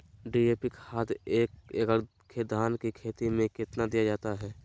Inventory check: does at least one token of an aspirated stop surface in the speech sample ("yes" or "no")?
yes